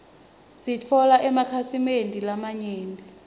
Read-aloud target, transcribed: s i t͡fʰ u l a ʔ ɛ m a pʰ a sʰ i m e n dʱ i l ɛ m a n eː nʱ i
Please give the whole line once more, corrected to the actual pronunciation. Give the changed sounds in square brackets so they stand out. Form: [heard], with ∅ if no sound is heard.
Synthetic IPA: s i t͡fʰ [ɔ] l a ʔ ɛ m a [kʰ] a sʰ i m e n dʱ i l [a] m a [ɲ] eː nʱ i